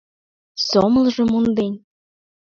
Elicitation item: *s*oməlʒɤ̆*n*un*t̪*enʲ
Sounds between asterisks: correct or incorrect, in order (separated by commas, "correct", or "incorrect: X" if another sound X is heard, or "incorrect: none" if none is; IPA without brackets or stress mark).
correct, incorrect: m, incorrect: d̪